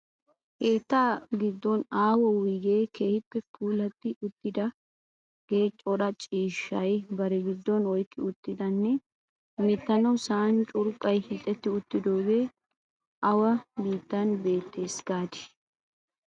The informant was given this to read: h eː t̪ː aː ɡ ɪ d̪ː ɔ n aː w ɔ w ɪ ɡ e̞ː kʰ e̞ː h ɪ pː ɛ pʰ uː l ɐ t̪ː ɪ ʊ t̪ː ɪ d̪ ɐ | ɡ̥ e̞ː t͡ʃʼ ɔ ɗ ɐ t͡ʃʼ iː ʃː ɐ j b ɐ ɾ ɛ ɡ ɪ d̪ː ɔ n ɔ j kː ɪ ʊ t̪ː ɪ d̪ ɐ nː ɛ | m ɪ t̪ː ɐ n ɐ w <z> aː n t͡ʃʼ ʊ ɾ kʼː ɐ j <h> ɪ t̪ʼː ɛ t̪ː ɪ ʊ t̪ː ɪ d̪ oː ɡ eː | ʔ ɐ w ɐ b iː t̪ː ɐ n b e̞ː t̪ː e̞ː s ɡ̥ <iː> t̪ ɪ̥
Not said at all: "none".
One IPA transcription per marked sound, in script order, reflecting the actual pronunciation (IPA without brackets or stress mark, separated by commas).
s, h, aː